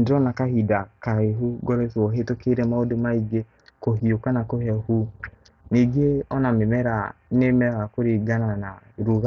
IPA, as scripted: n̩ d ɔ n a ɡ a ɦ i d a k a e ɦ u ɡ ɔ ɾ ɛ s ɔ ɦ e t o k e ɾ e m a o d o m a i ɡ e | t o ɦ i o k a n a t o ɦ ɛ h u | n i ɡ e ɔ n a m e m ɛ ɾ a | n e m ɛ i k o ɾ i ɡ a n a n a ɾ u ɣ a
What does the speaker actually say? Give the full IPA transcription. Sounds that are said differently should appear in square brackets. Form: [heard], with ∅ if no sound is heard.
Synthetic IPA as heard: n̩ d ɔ n a [k] a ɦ i d a k a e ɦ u ɡ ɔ ɾ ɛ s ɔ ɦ e t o k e ɾ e m a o d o m a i ɡ e | [k] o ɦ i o k a n a [k] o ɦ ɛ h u | n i ɡ e ɔ n a m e m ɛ ɾ a | n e m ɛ [a] k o ɾ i ɡ a n a n a ɾ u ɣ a